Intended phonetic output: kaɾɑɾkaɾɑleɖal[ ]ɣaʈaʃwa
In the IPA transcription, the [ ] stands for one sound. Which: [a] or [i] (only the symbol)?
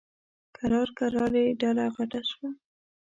a